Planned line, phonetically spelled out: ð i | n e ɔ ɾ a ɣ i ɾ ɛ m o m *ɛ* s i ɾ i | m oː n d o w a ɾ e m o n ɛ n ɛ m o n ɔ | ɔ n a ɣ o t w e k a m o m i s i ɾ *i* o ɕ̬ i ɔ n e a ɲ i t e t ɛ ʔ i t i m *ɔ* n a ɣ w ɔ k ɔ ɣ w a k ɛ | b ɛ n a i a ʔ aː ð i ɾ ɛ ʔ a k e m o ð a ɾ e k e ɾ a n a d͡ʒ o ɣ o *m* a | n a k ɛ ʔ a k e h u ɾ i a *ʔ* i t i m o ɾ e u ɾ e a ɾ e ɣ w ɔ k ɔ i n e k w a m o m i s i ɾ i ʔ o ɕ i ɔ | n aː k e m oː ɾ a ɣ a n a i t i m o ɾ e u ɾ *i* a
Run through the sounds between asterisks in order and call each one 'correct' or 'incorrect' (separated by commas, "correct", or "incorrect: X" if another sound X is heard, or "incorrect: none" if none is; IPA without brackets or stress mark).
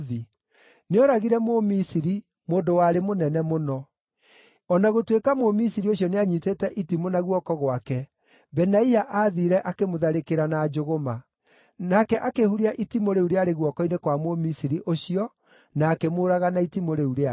incorrect: i, correct, incorrect: o, correct, correct, incorrect: e